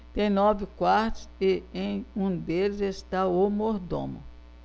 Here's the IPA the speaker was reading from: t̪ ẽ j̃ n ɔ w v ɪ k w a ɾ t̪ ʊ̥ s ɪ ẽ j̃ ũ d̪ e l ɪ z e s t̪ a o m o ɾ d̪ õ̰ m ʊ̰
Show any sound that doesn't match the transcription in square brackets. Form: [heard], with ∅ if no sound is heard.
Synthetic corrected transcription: t̪ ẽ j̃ n ɔ [∅] v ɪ k w a ɾ t̪ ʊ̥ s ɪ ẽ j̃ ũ d̪ e l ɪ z e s t̪ a o m o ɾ d̪ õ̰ m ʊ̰